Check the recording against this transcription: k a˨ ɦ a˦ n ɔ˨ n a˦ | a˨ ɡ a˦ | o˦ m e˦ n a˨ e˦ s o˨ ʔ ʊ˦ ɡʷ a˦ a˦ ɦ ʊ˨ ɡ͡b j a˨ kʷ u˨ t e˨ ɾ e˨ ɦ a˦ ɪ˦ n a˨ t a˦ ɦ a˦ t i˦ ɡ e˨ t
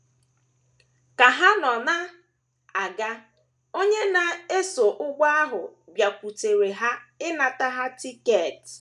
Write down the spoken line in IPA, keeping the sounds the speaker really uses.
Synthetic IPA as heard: k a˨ ɦ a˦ n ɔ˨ n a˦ | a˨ ɡ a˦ | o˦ ɲ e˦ n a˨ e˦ s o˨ ʔ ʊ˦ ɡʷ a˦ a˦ ɦ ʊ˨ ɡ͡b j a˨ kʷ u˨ t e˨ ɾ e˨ ɦ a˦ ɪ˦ n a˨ t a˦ ɦ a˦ t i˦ k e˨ t